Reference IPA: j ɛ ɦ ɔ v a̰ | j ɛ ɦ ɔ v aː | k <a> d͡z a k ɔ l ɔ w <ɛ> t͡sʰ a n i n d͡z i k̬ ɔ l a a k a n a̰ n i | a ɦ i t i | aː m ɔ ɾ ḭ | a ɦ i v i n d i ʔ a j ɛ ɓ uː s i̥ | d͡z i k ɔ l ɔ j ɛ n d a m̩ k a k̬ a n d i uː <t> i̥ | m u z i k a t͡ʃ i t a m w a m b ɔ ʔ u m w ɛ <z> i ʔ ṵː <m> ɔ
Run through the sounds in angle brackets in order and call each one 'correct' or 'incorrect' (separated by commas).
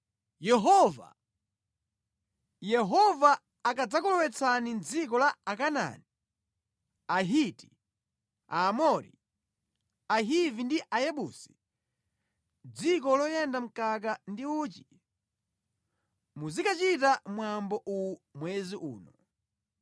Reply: correct, correct, incorrect, correct, incorrect